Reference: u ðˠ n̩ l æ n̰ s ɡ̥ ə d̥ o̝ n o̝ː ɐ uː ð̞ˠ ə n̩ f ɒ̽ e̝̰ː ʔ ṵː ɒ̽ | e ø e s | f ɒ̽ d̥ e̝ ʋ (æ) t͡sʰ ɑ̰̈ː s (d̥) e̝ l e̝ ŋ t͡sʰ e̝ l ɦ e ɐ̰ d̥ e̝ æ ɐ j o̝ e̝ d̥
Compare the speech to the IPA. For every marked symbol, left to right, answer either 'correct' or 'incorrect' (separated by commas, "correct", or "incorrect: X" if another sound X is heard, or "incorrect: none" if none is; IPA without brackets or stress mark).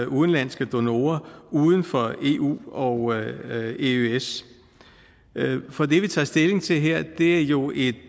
incorrect: i, correct